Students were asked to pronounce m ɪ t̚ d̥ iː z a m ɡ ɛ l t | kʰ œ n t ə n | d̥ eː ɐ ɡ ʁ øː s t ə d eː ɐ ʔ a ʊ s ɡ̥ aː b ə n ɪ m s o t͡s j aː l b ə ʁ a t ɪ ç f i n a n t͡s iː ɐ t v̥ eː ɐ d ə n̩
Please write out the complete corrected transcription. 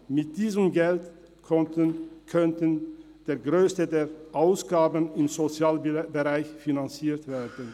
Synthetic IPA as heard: m ɪ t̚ d̥ iː z ə m ɡ ɛ l t | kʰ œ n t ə n | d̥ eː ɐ ɡ ʁ øː s t ə d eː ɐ ʔ a ʊ s ɡ̥ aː b ə n ɪ m z o t͡s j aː l b ə ʁ a ɪ ç f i n a n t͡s iː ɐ t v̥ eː ɐ d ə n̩